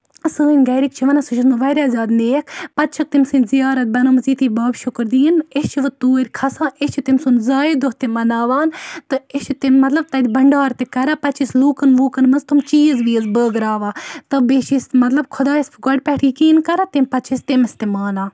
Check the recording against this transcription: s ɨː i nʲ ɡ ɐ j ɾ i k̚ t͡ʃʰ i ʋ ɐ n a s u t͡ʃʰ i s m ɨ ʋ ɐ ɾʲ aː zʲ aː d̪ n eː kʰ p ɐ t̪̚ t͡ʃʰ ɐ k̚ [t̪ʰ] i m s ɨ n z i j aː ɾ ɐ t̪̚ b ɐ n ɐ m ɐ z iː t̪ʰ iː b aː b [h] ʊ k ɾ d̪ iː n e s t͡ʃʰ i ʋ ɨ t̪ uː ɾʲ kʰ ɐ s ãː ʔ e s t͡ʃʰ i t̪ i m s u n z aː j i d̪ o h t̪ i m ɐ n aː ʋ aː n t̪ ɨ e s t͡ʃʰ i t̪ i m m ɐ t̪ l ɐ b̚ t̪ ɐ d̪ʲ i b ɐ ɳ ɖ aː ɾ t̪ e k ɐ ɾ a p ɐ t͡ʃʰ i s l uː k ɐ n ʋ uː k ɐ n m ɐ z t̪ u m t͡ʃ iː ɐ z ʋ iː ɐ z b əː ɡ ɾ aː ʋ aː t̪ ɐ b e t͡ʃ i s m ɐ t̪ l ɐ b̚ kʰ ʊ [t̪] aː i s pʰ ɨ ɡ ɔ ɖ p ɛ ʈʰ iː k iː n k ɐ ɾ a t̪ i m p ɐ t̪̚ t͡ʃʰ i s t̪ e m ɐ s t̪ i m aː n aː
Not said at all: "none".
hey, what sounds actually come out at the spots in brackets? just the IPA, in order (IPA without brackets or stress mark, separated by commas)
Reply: t̪, ʃ, d̪